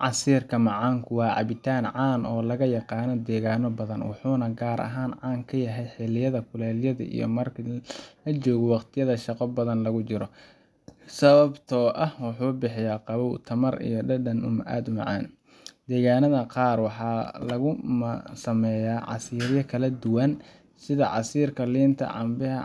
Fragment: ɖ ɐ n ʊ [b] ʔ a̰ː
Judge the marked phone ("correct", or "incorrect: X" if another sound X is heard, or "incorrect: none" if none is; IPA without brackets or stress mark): incorrect: m